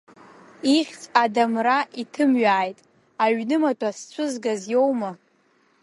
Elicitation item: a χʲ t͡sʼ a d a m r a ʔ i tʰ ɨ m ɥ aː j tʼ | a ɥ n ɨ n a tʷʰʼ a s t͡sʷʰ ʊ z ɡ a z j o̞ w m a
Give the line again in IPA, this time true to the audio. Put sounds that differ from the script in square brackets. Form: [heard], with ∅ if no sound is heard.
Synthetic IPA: [i] χʲ t͡sʼ a d a m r a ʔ i tʰ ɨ m ɥ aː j tʼ | a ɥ n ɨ [m] a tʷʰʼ a s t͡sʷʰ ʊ z ɡ a z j o̞ w m a

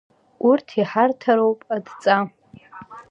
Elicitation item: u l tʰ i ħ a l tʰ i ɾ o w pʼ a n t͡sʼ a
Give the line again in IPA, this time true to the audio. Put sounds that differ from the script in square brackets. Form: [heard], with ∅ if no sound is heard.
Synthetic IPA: u [r] tʰ i ħ a [r] tʰ [a] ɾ o w pʼ a [d] t͡sʼ a

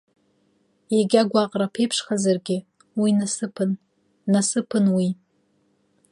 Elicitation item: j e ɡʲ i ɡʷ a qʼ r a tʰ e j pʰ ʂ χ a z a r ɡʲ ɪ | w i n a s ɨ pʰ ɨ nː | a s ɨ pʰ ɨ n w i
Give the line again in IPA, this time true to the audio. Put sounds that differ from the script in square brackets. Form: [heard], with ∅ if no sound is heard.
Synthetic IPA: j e ɡʲ [a] ɡʷ a qʼ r a [pʰ] e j pʰ ʂ χ a z a r ɡʲ ɪ | w i n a s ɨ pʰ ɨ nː | a s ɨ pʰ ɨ n w i

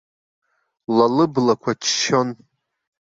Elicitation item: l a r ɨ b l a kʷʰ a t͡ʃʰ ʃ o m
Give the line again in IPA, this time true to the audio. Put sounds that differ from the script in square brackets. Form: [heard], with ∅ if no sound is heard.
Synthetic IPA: l a [l] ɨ b l a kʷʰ a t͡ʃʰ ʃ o [n]

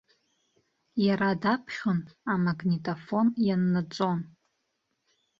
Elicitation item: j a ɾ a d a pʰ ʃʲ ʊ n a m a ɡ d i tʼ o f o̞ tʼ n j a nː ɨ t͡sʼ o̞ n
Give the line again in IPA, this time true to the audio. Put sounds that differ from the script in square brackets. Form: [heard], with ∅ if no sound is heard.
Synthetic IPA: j a ɾ a d a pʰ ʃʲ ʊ n a m a ɡ [n] i tʼ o f o̞ [∅] n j a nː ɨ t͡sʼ o̞ n

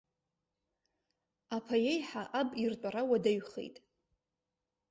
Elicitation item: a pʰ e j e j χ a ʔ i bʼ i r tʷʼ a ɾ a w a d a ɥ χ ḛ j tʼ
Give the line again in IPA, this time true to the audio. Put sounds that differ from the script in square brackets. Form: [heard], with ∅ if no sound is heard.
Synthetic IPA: a pʰ [a] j e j [ħ] a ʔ [a] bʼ i r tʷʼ a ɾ a w a d a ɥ χ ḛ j tʼ

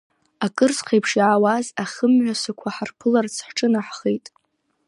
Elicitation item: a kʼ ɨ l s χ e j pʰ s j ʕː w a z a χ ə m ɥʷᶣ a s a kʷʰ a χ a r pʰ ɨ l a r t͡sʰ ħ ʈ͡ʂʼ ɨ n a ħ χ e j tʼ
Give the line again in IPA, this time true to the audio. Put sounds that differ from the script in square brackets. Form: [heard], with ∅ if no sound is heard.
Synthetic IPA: a kʼ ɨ [r] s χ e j pʰ [ʂ] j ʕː w a z a χ ə m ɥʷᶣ a s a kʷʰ a [ħ] a r pʰ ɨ l a r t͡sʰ ħ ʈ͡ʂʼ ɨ n a ħ χ e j tʼ

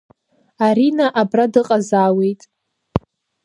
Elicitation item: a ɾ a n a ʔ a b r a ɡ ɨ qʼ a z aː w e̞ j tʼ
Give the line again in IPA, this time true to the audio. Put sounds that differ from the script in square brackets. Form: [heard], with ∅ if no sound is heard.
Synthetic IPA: a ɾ [i] n a ʔ a b r a [d] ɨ qʼ a z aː w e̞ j tʼ

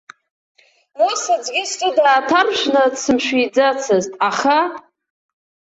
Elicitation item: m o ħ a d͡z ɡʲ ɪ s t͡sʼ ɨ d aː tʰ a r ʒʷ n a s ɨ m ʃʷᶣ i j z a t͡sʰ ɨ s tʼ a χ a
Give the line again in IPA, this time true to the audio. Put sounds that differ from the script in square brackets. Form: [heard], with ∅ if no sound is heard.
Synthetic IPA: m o [s] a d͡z ɡʲ ɪ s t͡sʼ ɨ d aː tʰ a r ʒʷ n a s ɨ m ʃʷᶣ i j [d͡z] a t͡sʰ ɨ [z] tʼ a χ a

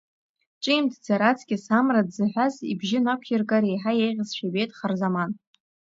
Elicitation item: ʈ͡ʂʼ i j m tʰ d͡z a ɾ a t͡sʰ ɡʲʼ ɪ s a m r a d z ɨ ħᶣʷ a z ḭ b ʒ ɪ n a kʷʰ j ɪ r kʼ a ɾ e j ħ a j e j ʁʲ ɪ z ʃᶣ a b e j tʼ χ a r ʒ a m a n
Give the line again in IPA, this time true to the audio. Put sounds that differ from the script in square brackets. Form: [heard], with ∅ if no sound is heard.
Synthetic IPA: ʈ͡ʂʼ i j m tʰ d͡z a ɾ a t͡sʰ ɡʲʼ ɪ s a m r a d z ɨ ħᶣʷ a z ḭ b ʒ ɪ n a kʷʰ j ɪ r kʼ a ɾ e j ħ a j e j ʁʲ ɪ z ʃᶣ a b e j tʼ χ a r [z] a m a n

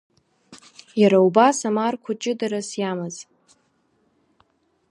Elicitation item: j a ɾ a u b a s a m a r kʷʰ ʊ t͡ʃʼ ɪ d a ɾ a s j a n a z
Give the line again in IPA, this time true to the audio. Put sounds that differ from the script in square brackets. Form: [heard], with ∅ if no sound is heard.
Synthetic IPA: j a ɾ a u b a s a m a r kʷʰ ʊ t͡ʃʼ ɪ d a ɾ a s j a [m] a z

